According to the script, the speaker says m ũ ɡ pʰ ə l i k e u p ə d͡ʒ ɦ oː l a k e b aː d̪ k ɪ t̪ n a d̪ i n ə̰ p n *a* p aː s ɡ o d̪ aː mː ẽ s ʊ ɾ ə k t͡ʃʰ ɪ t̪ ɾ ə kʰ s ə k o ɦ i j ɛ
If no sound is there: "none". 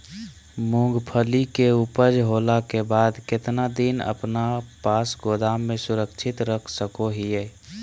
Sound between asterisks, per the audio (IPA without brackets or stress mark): a